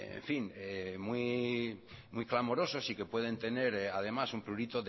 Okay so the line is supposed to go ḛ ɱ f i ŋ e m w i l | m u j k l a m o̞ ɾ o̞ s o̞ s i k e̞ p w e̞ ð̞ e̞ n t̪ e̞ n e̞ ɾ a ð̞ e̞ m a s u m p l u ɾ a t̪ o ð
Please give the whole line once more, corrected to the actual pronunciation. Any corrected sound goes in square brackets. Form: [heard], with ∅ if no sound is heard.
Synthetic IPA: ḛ ɱ f i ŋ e m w i [∅] | m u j k l a m o̞ ɾ o̞ s o̞ s i k e̞ p w e̞ ð̞ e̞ n t̪ e̞ n e̞ ɾ a ð̞ e̞ m a s u m p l u ɾ [i] t̪ o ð